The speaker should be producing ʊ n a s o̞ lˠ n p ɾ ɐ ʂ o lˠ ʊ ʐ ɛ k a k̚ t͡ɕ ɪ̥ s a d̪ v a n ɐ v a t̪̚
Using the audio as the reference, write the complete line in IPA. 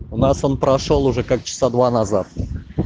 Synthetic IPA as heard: ʊ n a s o̞ n p ɾ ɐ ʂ o lˠ ʊ ʐ ɛ k a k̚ t͡ɕ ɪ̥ s a d̪ v a n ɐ z a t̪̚